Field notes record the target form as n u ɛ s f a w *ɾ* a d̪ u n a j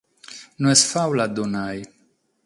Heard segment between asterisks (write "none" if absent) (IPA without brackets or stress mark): l